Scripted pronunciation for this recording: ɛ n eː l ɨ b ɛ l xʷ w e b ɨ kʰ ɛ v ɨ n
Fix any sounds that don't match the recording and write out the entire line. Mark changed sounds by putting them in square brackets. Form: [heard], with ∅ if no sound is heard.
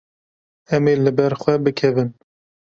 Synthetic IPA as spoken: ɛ [m] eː l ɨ b ɛ [ɾ] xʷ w [ɛ] b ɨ kʰ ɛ v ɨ n